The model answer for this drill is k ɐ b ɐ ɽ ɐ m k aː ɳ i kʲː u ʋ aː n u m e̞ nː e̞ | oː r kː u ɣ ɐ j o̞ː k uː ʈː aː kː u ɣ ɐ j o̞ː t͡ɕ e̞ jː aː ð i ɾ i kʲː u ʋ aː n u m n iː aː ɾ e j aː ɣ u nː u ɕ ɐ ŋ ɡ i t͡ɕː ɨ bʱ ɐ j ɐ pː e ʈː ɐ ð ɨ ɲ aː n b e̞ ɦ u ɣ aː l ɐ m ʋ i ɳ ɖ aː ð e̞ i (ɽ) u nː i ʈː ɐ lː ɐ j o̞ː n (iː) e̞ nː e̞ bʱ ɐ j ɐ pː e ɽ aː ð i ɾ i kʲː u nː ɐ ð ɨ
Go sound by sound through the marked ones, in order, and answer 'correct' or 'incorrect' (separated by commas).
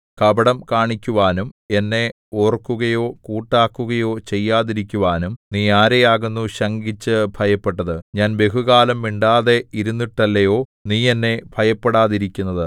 incorrect, correct